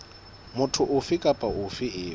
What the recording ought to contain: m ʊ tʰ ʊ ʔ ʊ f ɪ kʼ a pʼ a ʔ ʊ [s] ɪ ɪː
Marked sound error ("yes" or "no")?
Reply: yes